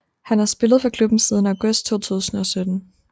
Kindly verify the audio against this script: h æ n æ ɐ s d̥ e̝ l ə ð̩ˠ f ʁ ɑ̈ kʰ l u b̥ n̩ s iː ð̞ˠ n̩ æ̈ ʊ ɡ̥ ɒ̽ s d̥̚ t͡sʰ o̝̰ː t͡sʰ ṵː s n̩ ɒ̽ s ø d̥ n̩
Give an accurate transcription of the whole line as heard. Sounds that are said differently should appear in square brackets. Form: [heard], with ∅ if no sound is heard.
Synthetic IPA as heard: h æ n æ ɐ s [b̥] e̝ l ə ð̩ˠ f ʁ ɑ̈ kʰ l u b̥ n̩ s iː ð̞ˠ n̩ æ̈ ʊ ɡ̥ [ɔ̽] s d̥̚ t͡sʰ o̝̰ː t͡sʰ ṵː s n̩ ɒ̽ s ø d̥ n̩

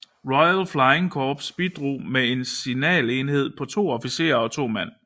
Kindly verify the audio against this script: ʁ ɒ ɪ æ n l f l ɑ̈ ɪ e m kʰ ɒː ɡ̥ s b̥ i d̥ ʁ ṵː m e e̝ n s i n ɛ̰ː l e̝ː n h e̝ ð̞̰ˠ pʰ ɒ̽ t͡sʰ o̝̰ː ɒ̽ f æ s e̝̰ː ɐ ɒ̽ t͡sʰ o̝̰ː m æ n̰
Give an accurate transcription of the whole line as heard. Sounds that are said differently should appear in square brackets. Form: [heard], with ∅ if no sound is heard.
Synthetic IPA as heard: ʁ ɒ ɪ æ [∅] l f l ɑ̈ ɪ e [ŋ] kʰ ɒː [b̥] s b̥ i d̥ ʁ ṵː m e e̝ n s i n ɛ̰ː l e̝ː n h e̝ ð̞̰ˠ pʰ ɒ̽ t͡sʰ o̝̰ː ɒ̽ f [i] s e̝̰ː ɐ ɒ̽ t͡sʰ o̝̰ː m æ n̰

